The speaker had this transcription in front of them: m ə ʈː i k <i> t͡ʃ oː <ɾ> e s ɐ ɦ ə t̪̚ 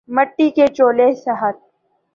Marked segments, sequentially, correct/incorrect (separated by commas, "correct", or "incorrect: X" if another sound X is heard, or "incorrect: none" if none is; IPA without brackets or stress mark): incorrect: e, incorrect: l